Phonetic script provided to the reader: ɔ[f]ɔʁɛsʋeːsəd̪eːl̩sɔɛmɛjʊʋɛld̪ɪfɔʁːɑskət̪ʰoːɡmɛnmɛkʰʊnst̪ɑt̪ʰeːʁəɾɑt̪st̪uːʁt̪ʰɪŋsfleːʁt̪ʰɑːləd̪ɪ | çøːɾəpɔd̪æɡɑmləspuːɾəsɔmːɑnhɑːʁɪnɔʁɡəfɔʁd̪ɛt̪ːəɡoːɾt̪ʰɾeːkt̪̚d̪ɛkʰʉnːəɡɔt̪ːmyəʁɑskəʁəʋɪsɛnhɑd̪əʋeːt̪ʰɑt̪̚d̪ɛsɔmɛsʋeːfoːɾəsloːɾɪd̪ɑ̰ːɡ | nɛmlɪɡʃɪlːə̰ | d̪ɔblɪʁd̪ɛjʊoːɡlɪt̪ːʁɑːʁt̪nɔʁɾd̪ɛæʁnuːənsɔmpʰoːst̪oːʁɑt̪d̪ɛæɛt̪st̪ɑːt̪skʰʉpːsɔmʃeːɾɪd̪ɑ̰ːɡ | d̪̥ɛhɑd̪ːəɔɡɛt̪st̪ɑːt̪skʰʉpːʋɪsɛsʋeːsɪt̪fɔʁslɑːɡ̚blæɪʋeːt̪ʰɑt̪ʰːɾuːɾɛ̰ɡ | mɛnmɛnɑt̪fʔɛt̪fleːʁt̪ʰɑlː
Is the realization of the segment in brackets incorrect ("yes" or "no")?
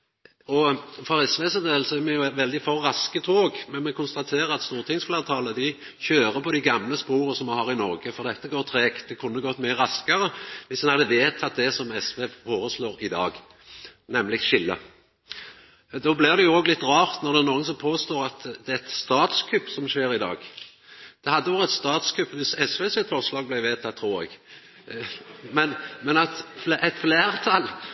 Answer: no